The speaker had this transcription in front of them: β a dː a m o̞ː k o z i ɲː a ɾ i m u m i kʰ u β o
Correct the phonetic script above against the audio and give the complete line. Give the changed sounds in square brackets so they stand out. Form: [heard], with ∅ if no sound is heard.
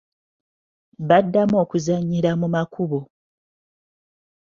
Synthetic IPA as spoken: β a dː a m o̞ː k [u] z [a] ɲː [i] ɾ [a] m u m [a] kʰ u β o

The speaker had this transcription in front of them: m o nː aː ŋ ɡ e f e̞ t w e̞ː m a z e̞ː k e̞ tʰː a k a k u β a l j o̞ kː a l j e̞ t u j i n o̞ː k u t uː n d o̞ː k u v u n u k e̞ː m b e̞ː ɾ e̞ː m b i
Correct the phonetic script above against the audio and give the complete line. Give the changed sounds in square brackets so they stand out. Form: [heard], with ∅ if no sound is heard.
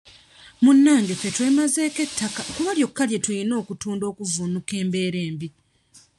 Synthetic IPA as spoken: m [u] nː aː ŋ ɡ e f e̞ t w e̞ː m a z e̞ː k e̞ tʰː a k a k u β a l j o̞ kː a l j e̞ t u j i n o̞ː k u t uː n d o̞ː k u v u n u k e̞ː m b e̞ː ɾ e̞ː m b i

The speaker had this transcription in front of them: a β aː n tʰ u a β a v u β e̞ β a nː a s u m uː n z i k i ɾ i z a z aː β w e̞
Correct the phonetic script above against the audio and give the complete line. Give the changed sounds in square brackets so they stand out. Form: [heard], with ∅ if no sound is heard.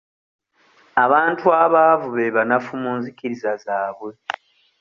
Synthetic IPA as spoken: a β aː n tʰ u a β a v u β e̞ β a [n] a [f] u m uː n z i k i ɾ i z a z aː β w e̞

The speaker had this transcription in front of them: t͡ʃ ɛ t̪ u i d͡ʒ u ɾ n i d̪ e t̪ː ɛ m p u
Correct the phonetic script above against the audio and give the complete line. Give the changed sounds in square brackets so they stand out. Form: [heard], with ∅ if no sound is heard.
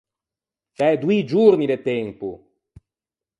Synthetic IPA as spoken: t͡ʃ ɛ [d̪] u i d͡ʒ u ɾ n i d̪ e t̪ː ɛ m p u

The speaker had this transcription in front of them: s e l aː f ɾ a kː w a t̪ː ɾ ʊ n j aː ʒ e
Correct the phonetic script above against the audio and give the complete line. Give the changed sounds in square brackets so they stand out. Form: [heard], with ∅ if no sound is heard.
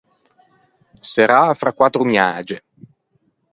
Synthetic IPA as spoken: s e [ɾ] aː f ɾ a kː w a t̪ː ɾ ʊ [m] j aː [d͡ʒ] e

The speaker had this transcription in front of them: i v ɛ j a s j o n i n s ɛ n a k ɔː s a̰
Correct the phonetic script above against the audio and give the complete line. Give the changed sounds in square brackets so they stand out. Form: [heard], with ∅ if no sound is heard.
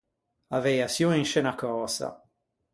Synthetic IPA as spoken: [a] v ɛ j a s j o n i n [ʃ] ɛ n a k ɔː s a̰

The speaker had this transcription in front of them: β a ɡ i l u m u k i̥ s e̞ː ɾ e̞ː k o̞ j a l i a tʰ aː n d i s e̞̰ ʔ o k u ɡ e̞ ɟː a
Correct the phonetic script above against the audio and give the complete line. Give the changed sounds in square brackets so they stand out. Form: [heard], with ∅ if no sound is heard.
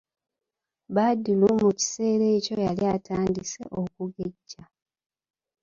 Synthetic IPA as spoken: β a [d] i l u m u [c] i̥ s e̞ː ɾ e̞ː [c] o̞ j a l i a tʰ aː n d i s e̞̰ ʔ o k u ɡ e̞ ɟː a

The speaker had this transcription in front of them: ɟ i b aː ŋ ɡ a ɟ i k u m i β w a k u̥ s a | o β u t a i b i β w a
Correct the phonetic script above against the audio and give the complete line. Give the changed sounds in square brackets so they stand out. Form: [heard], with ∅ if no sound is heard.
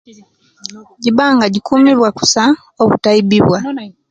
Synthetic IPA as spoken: ɟ i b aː ŋ ɡ a ɟ i k u m i β w a k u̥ s a | o β u t a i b i β w a

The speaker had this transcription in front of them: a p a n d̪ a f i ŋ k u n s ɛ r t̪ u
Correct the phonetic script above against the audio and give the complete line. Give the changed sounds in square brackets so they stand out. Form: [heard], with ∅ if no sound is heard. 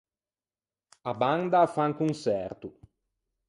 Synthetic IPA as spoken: a [b] a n d̪ a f [a] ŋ k u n s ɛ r t̪ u

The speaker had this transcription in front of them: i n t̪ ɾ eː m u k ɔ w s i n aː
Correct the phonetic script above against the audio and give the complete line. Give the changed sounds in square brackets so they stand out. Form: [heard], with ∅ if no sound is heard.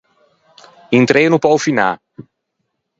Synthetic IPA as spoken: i n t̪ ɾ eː [n] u [p] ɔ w [f] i n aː

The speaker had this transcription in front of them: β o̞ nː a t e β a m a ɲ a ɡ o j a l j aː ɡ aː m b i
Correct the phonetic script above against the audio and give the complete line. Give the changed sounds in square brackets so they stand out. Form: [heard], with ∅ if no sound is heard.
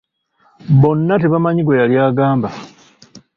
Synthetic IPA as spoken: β o̞ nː a t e β a m a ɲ [i] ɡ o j a l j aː ɡ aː m b [a]

